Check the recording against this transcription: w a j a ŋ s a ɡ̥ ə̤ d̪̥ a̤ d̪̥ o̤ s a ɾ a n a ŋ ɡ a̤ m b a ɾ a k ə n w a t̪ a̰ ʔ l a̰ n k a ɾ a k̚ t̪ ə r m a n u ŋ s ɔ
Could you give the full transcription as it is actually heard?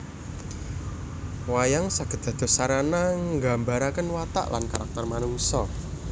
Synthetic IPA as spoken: w a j a ŋ s a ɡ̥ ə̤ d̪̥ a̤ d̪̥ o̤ s a ɾ a n a ŋ ɡ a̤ m b a ɾ a k ə n w a t̪ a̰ ʔ l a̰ n k a ɾ a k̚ t̪ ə r m a n u ŋ s ɔ

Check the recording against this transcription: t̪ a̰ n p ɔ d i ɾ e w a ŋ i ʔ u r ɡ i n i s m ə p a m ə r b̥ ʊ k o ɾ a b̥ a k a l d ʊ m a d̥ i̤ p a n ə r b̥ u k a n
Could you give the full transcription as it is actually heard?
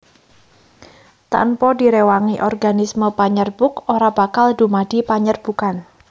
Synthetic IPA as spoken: t̪ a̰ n p ɔ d i ɾ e w a ŋ i ʔ ɔ r ɡ a n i s m ə p a ɲ ə r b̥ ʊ k o ɾ a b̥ a k a l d u m a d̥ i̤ p a ɲ ə r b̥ u k a n

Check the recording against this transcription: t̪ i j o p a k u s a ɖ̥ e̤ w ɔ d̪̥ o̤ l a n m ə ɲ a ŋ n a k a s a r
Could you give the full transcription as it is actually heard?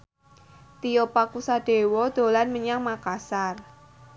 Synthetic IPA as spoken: t̪ i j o p a k u s a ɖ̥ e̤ w ɔ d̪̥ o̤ l a n m ə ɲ a ŋ m a k a s a r

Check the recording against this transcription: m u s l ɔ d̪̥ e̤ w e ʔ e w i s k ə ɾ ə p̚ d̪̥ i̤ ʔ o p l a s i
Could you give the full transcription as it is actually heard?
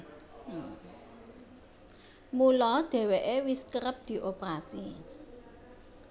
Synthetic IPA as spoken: m u l ɔ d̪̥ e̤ w e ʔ e w i s k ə ɾ ə p̚ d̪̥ i̤ ʔ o p ɾ a s i

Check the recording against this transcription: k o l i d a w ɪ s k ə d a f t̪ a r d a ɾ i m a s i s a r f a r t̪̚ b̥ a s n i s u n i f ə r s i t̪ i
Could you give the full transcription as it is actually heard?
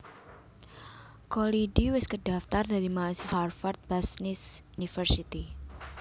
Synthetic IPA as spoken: k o l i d i w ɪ s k ə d a f t̪ a r d a ɾ i m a s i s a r f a r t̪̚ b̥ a s n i s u n i f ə r s i t̪ i

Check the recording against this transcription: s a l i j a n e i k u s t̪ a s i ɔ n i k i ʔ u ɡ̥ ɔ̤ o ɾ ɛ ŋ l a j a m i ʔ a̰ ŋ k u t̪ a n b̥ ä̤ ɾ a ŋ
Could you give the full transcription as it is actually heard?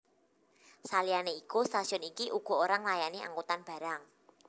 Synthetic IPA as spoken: s a l i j a n e i k u s t̪ a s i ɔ n i k i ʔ u ɡ̥ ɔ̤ o ɾ a ŋ l a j a n i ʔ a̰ ŋ k u t̪ a n b̥ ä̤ ɾ a ŋ

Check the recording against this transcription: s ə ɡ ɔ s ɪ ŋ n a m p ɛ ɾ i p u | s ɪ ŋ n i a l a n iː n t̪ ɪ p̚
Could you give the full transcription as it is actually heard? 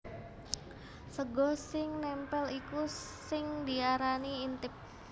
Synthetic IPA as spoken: s ə ɡ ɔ s ɪ ŋ n ɛ m p ɛ l i k u | s ɪ ŋ d i a ɾ a n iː n t̪ ɪ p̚

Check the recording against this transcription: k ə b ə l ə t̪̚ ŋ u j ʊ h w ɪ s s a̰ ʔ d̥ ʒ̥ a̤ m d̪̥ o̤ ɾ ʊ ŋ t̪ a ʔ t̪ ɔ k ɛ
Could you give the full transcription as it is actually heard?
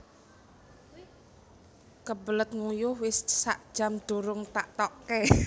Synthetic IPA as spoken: k ə b ə l ə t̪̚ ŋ u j ʊ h w ɪ s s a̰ ʔ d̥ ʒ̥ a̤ m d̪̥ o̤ ɾ ʊ ŋ t̪ a ʔ t̪ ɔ k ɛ

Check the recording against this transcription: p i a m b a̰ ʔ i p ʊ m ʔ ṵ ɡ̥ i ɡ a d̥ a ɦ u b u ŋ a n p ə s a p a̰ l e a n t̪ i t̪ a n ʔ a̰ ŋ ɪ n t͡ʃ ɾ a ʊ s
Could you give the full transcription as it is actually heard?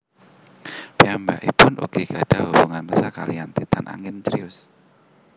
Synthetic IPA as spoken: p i a m b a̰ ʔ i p ʊ n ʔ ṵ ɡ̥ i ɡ a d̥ a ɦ u b u ŋ a n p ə s a k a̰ l i a n t̪ i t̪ a n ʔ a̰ ŋ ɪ n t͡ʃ ɾ i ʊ s

